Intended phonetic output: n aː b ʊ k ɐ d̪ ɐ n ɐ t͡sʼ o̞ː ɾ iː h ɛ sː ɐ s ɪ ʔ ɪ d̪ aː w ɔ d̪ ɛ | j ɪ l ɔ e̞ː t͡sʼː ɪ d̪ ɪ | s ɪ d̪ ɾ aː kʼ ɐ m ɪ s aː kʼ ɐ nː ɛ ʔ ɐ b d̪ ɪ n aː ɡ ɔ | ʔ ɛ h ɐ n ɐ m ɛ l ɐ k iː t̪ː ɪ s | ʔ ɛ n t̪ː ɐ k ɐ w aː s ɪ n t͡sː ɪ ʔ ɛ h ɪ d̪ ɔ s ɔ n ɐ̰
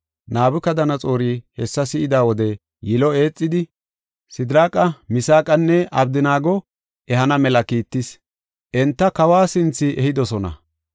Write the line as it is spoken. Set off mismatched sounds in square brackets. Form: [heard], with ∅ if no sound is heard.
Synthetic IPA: n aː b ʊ k ɐ d̪ ɐ n ɐ t͡sʼ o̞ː ɾ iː h ɛ sː ɐ s ɪ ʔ ɪ d̪ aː w ɔ d̪ ɛ | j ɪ l ɔ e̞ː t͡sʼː ɪ d̪ ɪ | s ɪ d̪ ɾ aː kʼ ɐ m ɪ s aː kʼ ɐ nː ɛ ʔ ɐ b d̪ ɪ n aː ɡ ɔ | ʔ ɛ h ɐ n ɐ m ɛ l ɐ k iː t̪ː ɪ s | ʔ ɛ n t̪ː ɐ k ɐ w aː s ɪ n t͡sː ɪ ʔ ɛ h ɪ d̪ ɔ s ɔ n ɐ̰